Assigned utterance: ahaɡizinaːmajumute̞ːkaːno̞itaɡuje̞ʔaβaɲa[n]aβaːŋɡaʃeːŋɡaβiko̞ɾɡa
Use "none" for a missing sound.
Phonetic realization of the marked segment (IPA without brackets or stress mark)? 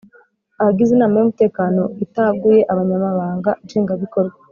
m